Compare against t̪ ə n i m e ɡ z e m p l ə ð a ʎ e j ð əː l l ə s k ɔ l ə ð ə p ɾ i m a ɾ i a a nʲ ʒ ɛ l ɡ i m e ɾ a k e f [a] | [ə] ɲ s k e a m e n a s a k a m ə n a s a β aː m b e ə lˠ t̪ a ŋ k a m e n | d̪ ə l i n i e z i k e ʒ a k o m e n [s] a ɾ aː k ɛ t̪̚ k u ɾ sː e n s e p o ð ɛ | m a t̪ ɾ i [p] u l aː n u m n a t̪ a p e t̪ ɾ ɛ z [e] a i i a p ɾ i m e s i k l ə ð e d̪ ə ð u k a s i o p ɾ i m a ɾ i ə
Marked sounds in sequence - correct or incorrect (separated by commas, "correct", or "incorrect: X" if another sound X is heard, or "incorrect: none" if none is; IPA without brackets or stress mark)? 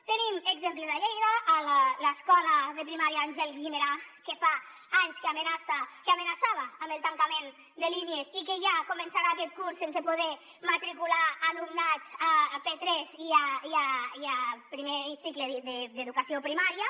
correct, incorrect: a, correct, incorrect: k, incorrect: i